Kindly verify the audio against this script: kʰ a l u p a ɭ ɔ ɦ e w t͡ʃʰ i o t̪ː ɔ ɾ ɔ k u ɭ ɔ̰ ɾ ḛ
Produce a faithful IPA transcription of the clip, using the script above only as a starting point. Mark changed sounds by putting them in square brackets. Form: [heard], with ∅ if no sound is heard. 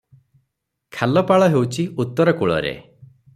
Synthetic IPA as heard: kʰ a l [ɔ] p a ɭ ɔ ɦ e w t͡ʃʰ i [u] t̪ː ɔ ɾ ɔ k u ɭ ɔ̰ ɾ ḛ